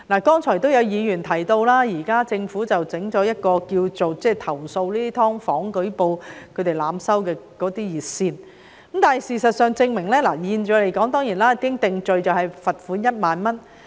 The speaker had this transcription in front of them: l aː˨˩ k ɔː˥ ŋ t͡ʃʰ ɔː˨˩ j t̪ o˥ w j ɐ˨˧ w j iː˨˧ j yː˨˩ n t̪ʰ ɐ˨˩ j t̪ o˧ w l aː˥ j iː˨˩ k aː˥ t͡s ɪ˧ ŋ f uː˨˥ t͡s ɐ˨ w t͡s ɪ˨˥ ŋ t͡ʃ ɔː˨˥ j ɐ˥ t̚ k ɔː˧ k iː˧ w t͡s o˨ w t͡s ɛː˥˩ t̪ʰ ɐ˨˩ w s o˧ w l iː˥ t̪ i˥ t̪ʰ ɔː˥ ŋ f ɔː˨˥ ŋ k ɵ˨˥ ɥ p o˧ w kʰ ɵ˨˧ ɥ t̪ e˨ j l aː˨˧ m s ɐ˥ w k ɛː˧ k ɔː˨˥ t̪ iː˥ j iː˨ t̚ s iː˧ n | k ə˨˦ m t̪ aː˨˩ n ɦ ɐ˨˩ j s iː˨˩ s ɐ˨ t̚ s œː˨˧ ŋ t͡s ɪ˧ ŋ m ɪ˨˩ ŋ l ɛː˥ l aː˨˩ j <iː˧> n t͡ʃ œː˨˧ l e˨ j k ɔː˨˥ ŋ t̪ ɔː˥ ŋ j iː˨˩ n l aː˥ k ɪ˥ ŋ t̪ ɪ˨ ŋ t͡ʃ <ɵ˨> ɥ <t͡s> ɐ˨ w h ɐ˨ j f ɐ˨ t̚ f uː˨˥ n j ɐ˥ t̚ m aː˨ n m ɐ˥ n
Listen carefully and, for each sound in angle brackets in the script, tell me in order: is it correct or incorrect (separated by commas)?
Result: correct, correct, correct